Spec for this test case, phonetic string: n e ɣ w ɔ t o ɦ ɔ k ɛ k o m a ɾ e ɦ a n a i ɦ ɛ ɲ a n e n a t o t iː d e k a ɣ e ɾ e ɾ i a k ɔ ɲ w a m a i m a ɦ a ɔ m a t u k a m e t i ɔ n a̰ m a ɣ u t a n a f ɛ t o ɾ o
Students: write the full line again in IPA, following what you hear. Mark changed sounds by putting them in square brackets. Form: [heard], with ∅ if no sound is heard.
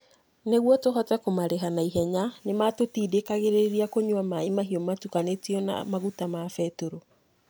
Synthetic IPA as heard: n e ɣ w ɔ t o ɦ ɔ [t] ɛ k o m a ɾ e ɦ a n a i ɦ ɛ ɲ a n e [m] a t o t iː d e k a ɣ e ɾ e ɾ i a k [o] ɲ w a m a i m a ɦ [i] ɔ m a t u k a [n] e t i ɔ n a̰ m a ɣ u t a [m] a f ɛ t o ɾ o